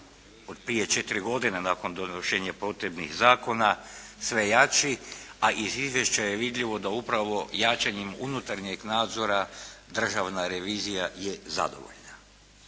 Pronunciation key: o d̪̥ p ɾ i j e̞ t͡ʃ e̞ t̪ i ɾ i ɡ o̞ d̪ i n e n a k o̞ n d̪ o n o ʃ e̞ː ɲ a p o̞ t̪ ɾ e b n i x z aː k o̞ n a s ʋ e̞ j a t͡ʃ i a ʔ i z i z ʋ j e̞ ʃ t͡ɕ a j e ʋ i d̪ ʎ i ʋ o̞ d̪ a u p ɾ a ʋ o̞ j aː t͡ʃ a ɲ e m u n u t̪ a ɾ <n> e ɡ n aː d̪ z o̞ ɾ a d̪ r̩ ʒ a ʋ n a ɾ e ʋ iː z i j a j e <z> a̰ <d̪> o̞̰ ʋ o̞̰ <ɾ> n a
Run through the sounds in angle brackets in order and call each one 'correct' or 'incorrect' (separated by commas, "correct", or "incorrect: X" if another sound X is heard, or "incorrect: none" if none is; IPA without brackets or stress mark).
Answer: incorrect: ɲ, correct, correct, incorrect: ʎ